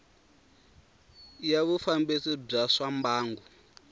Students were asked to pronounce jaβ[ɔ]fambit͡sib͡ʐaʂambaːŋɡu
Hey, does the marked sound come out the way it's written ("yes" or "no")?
no